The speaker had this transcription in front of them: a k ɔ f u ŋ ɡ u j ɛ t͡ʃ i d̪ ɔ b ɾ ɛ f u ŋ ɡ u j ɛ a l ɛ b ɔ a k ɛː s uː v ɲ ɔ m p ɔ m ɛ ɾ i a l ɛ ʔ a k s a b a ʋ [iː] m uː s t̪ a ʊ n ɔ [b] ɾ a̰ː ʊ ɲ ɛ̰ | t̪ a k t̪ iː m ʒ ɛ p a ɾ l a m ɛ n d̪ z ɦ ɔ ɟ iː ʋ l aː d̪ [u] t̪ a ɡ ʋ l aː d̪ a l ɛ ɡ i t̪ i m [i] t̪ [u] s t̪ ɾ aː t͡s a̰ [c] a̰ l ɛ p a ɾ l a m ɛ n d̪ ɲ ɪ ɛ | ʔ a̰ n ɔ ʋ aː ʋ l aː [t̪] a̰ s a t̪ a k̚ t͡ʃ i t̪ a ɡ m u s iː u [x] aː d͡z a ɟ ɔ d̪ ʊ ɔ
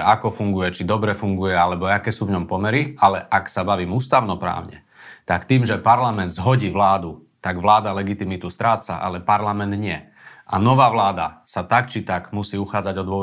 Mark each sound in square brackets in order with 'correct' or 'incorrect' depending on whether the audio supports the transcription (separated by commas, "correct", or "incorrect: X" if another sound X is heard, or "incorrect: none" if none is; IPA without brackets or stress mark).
correct, incorrect: p, correct, correct, correct, incorrect: ʔ, incorrect: d̪, correct